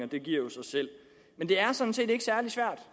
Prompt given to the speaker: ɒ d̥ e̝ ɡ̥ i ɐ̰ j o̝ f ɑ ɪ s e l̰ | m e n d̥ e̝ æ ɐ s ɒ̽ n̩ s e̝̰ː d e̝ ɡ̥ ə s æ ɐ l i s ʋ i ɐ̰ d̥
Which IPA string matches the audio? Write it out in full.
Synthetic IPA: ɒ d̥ e̝ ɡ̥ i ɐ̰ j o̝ s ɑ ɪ s e l̰ | m e n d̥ e̝ æ ɐ s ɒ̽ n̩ s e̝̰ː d e̝ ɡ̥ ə s æ ɐ l i s ʋ æ ɐ̰ d̥

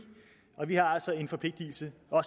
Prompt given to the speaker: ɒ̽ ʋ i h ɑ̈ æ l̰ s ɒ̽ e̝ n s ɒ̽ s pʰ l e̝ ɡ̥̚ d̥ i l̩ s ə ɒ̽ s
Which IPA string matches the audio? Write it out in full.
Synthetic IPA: ɒ̽ ʋ i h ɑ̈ æ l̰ s ɒ̽ e̝ n f ɒ̽ pʰ l e̝ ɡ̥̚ d̥ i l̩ s ə ɒ̽ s

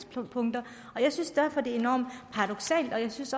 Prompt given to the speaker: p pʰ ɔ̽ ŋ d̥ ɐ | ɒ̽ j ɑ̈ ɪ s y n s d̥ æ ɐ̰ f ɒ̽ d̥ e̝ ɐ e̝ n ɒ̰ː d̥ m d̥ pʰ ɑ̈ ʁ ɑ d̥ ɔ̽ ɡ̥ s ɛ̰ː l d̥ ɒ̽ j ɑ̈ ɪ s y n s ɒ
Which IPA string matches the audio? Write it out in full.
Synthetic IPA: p pʰ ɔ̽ ŋ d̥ ɐ | ɒ̽ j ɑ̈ ɪ s y n s d̥ æ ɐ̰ f ɒ̽ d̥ e̝ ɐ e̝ n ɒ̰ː m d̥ pʰ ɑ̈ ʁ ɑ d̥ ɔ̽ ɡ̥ s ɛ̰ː l d̥ ɒ̽ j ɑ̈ ɪ s y n s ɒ

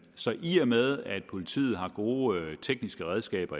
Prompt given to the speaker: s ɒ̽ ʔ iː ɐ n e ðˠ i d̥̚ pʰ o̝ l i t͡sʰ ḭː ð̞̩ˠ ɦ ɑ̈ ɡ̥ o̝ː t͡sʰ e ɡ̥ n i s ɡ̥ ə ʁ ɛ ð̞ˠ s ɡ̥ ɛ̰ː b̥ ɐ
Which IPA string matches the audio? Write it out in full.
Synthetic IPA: s ɒ̽ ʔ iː ɐ m e ðˠ æ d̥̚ pʰ o̝ l i t͡sʰ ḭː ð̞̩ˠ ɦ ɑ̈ ɡ̥ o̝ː t͡sʰ e ɡ̥ n i s ɡ̥ ə ʁ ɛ ð̞ˠ s ɡ̥ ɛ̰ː b̥ ɐ

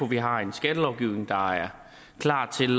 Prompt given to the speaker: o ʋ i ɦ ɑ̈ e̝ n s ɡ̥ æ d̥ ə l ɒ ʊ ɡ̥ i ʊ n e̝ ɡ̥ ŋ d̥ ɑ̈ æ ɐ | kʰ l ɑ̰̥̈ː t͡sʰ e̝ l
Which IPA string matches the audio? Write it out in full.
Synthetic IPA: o ʋ i ɦ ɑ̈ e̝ n s ɡ̥ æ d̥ ə l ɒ ʊ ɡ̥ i ʊ n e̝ ŋ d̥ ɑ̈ æ ɐ | kʰ l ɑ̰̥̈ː t͡sʰ e̝ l

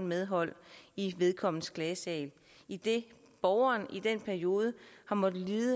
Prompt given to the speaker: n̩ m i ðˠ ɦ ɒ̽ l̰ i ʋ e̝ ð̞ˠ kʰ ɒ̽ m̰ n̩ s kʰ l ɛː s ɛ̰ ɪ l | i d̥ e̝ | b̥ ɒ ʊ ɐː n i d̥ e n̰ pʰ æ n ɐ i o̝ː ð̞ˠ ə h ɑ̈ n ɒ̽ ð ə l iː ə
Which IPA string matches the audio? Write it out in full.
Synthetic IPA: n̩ m e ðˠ ɦ ɒ̽ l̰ i ʋ e̝ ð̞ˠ kʰ ɒ̽ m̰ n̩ s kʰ l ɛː s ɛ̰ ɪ l | i d̥ e̝ | b̥ ɒ ʊ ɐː n i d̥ e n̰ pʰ æ ɐ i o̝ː ð̞ˠ ə h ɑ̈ m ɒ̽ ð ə l iː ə

